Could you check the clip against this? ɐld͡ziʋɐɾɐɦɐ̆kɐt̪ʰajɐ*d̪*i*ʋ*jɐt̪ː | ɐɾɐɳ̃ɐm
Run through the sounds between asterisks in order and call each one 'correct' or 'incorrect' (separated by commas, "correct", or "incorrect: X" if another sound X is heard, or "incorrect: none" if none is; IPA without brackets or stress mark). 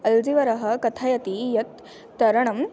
incorrect: t̪, incorrect: none